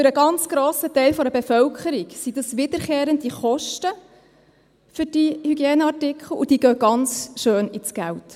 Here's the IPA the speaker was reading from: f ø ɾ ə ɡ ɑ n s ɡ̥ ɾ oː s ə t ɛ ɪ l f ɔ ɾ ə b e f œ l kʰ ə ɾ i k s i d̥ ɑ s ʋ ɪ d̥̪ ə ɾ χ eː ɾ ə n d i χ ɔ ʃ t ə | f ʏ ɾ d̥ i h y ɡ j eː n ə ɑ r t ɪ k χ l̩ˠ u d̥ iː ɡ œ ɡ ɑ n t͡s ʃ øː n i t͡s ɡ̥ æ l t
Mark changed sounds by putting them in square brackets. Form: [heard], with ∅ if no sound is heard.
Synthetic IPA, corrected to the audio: f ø ɾ ə ɡ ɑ n [t͡s] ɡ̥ ɾ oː s ə t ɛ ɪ l f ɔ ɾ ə b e f œ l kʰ ə ɾ i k s i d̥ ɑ s ʋ ɪ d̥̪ ə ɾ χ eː ɾ ə n d i χ ɔ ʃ t ə | f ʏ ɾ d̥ i h y ɡ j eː n ə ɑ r t ɪ k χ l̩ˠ u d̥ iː ɡ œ ɡ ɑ n t͡s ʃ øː n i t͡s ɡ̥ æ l t